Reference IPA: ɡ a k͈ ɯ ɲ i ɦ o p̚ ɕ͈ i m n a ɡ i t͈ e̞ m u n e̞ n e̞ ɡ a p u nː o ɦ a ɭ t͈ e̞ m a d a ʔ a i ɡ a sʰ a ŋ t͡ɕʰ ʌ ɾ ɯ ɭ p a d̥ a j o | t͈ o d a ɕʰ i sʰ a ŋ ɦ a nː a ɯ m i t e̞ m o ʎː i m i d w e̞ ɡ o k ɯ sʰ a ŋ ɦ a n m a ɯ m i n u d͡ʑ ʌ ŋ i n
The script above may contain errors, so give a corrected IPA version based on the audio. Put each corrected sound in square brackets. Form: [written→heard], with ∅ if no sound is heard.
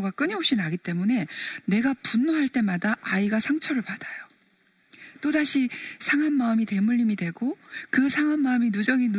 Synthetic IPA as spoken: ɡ a k͈ ɯ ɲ i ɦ o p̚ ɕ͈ i [m→∅] n a ɡ i t͈ e̞ m u n e̞ n e̞ ɡ a p u nː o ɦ a ɭ t͈ e̞ m a d a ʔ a i ɡ a sʰ a ŋ t͡ɕʰ ʌ ɾ ɯ ɭ p a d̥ a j o | t͈ o d a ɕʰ i sʰ a ŋ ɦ a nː a ɯ m i t e̞ m [o→u] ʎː i m i d w e̞ ɡ o k ɯ sʰ a ŋ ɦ a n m a ɯ m i n u d͡ʑ ʌ ŋ i n